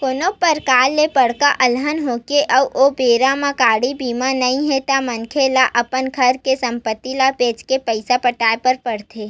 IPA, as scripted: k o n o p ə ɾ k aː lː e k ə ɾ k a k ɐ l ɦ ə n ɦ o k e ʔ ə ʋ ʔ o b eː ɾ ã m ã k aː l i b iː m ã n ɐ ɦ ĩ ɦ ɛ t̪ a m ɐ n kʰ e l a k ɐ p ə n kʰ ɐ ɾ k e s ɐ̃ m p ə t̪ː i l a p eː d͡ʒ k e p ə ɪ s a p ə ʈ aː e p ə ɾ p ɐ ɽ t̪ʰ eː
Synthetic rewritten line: k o n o p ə ɾ k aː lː e p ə ɽ k a ʔ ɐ l ɦ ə n ɦ o k e ʔ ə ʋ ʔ o b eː ɾ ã m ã k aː ɽ i b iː m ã n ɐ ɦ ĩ ɦ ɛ t̪ a m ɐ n kʰ e l a ʔ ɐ p ə n kʰ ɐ ɾ k e s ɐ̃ m p ə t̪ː i l a p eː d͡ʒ k e p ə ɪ s a p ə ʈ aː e p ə ɾ p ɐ ɽ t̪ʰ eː